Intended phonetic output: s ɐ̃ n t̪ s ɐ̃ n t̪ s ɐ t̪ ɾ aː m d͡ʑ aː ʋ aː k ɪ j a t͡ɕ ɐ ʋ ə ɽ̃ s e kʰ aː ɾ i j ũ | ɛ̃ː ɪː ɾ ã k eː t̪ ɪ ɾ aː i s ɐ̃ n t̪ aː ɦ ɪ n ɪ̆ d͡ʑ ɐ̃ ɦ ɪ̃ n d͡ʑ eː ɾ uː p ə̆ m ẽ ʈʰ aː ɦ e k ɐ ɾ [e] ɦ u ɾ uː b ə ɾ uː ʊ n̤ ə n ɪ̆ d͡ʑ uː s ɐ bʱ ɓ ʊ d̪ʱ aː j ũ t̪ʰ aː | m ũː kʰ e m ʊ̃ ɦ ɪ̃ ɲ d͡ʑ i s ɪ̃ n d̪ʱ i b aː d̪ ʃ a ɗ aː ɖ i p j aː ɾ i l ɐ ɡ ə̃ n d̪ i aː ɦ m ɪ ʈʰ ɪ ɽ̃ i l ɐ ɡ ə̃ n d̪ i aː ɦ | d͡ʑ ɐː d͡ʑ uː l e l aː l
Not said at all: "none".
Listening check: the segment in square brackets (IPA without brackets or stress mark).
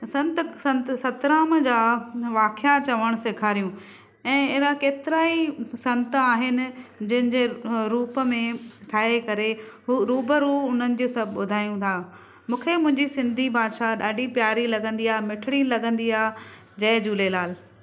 e